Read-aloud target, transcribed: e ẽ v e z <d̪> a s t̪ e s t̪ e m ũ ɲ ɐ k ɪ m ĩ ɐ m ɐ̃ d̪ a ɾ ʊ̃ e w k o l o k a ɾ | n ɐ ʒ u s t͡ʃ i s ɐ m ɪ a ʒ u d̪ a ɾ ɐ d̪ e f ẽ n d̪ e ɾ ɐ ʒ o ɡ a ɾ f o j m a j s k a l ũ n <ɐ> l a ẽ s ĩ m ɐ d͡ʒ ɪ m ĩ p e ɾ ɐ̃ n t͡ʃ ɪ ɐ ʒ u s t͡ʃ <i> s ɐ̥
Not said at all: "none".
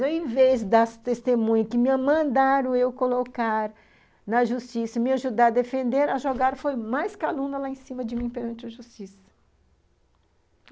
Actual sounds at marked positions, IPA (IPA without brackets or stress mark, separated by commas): d̪, ɐ, i